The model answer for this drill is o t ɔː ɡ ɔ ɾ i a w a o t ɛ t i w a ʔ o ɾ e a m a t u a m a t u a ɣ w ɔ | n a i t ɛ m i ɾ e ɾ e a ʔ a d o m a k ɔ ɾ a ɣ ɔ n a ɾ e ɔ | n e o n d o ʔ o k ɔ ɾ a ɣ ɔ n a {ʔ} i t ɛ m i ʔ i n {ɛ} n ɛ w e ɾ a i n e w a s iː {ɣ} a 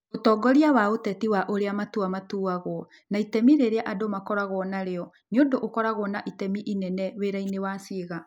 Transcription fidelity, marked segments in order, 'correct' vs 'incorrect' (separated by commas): correct, correct, correct